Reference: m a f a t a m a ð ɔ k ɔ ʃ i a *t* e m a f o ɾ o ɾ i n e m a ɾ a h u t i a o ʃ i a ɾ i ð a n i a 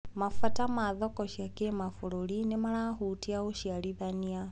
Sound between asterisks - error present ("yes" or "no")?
yes